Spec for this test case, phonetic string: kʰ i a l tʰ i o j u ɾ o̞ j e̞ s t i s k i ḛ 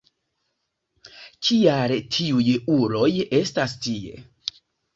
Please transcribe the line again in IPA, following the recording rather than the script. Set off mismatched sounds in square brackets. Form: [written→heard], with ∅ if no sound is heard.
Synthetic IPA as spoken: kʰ i a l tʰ i [o→u] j u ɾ o̞ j e̞ s t [i→a] s [k→t] i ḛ

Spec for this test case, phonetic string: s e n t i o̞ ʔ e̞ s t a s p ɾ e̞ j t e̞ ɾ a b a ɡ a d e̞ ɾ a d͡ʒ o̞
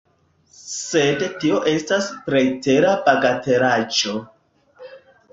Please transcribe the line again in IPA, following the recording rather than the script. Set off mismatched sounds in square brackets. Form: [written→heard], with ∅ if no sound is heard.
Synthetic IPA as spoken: s e [n→d] t i o̞ ʔ e̞ s t a s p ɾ e̞ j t e̞ ɾ a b a ɡ a [d→t] e̞ ɾ a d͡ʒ o̞

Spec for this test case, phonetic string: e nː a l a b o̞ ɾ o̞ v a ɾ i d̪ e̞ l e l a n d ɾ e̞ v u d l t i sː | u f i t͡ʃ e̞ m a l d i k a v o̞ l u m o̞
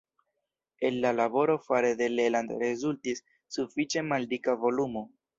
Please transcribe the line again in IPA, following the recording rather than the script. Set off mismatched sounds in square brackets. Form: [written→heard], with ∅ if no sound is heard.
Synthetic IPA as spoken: e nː a l a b o̞ ɾ o̞ [v→f] a ɾ [i→e] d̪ e̞ l e l a n d ɾ e̞ [v→z] u [d→∅] l t i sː | u f i t͡ʃ e̞ m a l d i k a v o̞ l u m o̞

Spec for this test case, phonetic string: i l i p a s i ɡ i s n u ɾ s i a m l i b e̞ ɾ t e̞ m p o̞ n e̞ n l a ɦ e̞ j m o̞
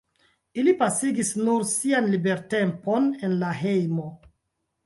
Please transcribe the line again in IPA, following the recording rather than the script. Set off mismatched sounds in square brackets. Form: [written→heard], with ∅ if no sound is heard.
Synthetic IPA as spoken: i l i p a s i ɡ i s n u ɾ s i a [m→n] l i b e̞ ɾ t e̞ m p o̞ n e̞ n l a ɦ e̞ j m o̞

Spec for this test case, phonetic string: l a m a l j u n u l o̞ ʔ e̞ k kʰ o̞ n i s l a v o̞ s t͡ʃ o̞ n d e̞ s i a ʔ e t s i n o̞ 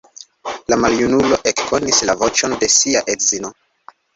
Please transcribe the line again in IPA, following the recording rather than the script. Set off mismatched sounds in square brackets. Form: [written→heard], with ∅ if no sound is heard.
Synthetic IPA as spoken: l a m a l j u n u l o̞ ʔ e̞ k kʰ o̞ n i s l a v o̞ [s→∅] t͡ʃ o̞ n d e̞ s i a ʔ e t [s→z] i n o̞

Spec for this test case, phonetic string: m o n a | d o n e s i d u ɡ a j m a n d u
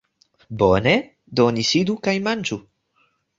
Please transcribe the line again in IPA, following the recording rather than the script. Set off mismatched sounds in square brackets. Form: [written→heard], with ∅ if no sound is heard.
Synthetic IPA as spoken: [m→b] o n [a→e] | d o n [e→i] s i d u [ɡ→k] a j m a n [d→d͡ʒ] u

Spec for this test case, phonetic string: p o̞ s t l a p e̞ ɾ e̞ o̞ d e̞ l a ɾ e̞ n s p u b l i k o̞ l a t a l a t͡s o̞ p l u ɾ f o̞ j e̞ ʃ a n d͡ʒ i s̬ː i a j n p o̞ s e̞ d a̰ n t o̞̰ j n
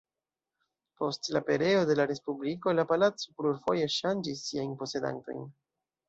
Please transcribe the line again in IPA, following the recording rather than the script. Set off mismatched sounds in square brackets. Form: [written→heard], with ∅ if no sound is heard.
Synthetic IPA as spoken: p o̞ s t l a p e̞ ɾ e̞ o̞ d e̞ l a ɾ e̞ [n→∅] s p u b l i k o̞ l a [t→p] a l a t͡s o̞ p l u ɾ f o̞ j e̞ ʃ a n d͡ʒ i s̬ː i a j n p o̞ s e̞ d a̰ n t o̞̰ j n

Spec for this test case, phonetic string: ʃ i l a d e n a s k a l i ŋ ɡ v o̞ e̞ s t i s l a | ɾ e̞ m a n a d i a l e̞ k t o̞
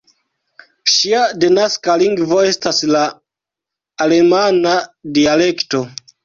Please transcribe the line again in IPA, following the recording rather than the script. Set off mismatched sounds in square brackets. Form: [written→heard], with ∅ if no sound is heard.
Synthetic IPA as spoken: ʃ i [l→∅] a d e n a s k a l i ŋ ɡ v o̞ e̞ s t [i→a] s l a | [ɾ→l] e̞ m a n a d i a l e̞ k t o̞

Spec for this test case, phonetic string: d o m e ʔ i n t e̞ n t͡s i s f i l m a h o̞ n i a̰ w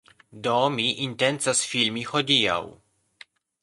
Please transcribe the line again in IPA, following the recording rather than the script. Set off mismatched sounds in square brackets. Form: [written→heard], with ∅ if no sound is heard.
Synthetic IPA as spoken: d o m [e→i] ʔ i n t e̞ n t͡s [i→a] s f i l m [a→i] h o̞ [n→d] i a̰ w

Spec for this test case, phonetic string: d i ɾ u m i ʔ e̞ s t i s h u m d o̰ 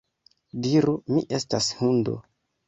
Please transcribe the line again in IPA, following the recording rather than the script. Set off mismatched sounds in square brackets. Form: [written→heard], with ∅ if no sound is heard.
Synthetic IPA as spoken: d i ɾ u m i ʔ e̞ s t [i→a] s h u [m→n] d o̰

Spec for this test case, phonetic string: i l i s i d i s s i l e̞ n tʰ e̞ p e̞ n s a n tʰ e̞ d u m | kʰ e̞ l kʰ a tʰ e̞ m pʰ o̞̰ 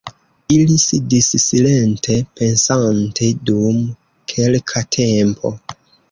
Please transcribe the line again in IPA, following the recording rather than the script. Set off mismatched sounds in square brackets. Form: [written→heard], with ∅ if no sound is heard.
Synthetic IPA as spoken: i l i s i d i s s i l e̞ n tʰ e̞ p e̞ n s a n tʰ e̞ d u m | kʰ e̞ l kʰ a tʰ e̞ m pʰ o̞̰

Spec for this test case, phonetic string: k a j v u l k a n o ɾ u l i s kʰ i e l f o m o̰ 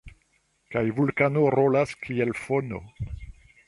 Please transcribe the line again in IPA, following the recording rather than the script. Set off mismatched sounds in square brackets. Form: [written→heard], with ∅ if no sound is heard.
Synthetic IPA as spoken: k a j v u l k a n o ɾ [u→o] l [i→a] s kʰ i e l f o [m→n] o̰

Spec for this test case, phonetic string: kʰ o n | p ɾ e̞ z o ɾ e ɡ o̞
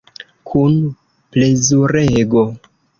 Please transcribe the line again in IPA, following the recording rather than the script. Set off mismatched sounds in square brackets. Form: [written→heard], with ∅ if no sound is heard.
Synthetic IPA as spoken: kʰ [o→u] n | p [ɾ→l] e̞ z [o→u] ɾ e ɡ o̞

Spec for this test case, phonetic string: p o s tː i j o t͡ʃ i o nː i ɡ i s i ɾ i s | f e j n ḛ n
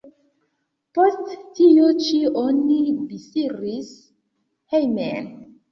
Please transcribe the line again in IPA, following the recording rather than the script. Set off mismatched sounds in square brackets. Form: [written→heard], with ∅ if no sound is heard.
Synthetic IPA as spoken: p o s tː i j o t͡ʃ i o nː i [ɡ→b] i s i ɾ i s | [f→h] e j [n→m] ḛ n

